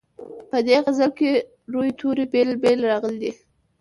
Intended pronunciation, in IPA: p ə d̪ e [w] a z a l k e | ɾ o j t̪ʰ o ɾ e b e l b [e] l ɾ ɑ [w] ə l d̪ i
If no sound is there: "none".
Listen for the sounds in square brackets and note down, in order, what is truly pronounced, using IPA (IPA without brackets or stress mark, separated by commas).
ɣ, e, ɣ